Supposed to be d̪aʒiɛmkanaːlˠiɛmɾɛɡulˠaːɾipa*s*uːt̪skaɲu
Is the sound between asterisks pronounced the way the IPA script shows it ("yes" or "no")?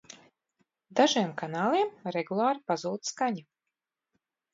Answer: no